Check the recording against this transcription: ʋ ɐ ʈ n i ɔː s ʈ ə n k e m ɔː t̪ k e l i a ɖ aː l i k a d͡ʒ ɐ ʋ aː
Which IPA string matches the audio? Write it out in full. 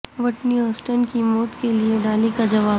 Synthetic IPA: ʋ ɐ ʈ n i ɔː s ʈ ə n k i m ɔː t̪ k e l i e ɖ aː l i k a d͡ʒ ɐ ʋ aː